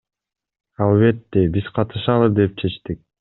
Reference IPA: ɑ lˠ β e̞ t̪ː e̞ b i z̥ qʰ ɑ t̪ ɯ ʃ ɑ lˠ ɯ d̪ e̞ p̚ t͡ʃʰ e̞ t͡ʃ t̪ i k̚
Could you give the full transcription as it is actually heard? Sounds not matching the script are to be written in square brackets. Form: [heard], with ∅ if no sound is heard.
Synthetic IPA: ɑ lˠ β e̞ t̪ː e̞ b i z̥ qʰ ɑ t̪ ɯ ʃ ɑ lˠ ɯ d̪ e̞ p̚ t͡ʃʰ e̞ t͡ʃ t̪ i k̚